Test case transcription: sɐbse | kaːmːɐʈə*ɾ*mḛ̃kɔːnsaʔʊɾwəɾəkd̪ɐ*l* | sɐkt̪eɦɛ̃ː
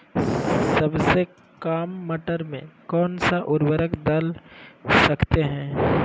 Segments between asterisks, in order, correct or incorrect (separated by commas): correct, correct